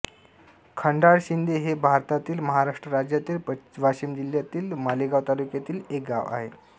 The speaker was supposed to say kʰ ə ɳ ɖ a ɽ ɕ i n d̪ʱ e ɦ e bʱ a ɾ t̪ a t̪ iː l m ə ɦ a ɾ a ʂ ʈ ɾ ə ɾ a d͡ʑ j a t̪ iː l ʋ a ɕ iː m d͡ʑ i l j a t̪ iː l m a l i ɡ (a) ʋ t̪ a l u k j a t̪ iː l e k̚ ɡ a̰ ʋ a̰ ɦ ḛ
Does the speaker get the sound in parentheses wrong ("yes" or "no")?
no